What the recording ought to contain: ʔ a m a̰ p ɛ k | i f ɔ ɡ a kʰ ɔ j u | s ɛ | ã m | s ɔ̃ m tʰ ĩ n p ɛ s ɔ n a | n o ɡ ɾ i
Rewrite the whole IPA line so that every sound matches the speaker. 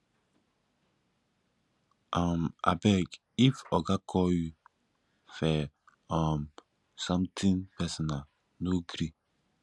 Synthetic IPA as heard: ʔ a m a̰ b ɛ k | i f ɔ ɡ a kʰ ɔ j u | f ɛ | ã m | s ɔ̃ m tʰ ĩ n p ɛ s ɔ n a | n o ɡ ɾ i